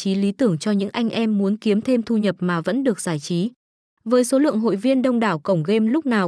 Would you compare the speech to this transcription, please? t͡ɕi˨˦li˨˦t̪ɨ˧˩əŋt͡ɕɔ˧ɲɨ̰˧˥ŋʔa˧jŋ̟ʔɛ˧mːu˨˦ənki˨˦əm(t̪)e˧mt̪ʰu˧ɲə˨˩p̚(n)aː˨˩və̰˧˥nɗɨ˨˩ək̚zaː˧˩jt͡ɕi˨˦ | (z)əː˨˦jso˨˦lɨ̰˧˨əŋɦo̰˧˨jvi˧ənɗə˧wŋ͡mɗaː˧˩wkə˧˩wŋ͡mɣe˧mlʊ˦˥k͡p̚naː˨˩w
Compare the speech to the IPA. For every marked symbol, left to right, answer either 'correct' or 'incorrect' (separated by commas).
incorrect, incorrect, incorrect